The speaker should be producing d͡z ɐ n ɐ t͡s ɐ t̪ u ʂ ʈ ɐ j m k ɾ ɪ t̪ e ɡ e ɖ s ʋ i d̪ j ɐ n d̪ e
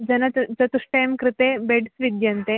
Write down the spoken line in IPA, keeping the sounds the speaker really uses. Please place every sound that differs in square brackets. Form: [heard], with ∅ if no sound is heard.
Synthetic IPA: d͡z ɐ n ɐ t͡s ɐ t̪ u ʂ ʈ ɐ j m k ɾ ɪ t̪ e [b] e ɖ s ʋ i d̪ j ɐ n [t̪] e

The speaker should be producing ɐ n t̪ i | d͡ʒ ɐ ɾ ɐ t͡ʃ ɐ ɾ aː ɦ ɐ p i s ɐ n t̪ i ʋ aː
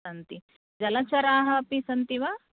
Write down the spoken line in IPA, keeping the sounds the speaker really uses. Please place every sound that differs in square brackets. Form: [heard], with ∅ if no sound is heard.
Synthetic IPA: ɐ n t̪ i | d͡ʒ ɐ [l] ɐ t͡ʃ ɐ ɾ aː ɦ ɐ p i s ɐ n t̪ i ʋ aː

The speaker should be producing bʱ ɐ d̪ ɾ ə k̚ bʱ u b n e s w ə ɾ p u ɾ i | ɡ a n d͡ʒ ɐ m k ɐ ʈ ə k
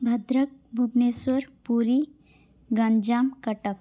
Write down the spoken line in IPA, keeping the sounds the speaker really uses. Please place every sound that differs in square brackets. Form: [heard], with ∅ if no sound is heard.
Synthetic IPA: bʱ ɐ d̪ ɾ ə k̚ bʱ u b n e s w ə ɾ p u ɾ i | ɡ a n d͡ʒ [a] m k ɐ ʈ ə k

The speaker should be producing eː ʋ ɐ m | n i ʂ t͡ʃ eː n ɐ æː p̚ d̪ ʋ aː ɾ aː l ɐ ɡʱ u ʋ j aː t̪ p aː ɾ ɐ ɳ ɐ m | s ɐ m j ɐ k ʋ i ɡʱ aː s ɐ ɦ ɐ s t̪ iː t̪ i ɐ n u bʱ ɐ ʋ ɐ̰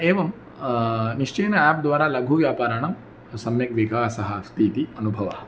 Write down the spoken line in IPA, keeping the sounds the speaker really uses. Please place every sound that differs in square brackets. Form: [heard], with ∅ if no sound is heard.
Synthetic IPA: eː ʋ ɐ m | n i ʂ t͡ʃ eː n ɐ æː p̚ d̪ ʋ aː ɾ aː l ɐ ɡʱ u ʋ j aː [∅] p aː ɾ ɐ ɳ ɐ m | s ɐ m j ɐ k ʋ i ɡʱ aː s ɐ ɦ ɐ s t̪ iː t̪ i ɐ n u bʱ ɐ ʋ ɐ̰

